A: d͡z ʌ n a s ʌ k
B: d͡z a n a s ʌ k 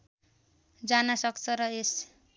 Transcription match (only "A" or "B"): B